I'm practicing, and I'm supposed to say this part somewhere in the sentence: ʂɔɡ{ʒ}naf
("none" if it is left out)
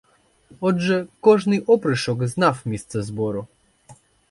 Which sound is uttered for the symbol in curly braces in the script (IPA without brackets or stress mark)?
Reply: z